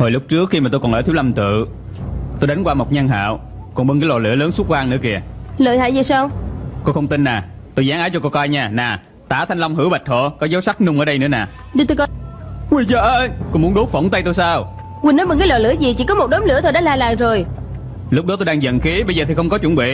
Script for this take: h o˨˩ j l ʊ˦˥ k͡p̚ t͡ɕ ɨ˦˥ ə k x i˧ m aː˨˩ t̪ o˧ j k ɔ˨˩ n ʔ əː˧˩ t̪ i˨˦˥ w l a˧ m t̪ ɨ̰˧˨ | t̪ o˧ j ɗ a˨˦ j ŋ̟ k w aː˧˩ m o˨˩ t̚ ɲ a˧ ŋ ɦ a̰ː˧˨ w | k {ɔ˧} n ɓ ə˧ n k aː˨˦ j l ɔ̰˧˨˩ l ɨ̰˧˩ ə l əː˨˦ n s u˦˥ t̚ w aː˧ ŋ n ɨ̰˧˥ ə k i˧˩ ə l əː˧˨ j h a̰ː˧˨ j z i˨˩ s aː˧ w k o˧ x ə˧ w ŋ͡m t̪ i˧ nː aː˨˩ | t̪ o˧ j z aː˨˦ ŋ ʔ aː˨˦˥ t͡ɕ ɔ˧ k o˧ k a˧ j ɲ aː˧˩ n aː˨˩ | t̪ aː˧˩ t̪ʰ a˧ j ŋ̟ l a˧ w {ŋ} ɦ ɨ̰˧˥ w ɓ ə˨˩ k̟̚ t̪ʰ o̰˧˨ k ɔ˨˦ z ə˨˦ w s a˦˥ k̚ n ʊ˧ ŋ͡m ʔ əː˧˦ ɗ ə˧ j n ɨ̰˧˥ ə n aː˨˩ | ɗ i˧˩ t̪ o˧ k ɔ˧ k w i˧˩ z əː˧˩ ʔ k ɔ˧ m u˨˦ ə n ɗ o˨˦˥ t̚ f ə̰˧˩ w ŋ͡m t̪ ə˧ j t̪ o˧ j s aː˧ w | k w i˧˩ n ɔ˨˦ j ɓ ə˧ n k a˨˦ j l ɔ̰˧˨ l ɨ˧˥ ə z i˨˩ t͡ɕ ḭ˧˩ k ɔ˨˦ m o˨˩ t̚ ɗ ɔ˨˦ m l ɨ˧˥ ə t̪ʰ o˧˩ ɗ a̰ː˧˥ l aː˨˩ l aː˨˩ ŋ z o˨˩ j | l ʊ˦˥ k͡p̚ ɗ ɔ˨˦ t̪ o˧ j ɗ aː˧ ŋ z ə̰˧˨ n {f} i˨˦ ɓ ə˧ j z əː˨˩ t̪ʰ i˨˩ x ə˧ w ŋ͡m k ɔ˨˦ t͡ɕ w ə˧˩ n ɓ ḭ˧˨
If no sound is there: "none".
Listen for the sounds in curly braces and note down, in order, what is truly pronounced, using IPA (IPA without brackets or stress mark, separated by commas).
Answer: ɔ˨˩, ŋ͡m, x